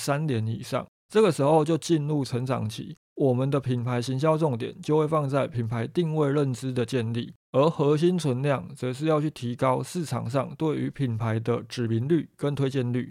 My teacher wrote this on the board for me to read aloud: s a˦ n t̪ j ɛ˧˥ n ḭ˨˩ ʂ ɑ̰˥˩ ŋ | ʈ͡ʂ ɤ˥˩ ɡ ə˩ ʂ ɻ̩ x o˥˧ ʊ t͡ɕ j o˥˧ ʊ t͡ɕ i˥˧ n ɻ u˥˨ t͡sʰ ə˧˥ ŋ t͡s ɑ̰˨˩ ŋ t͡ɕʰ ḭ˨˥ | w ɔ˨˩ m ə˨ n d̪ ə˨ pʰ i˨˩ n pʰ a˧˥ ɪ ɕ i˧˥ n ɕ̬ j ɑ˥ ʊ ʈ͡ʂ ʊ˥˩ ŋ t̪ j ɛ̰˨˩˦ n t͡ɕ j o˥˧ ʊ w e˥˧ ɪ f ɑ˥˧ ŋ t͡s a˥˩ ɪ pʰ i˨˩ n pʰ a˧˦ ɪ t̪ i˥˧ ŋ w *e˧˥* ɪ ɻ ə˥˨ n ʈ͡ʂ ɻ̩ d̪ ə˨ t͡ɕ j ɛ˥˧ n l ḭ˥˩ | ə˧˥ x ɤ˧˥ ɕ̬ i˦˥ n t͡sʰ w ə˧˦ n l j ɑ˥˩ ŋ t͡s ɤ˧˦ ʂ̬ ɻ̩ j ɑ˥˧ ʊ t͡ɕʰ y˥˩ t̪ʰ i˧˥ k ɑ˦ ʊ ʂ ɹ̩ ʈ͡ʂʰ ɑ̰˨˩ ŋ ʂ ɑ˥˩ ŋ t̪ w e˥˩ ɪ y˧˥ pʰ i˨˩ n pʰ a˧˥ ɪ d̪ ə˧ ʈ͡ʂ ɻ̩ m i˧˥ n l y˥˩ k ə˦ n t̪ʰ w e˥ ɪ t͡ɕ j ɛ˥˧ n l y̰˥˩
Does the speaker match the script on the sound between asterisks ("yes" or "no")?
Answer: no